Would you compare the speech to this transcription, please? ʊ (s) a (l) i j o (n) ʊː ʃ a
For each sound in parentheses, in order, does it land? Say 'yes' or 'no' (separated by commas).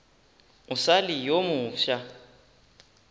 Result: yes, yes, no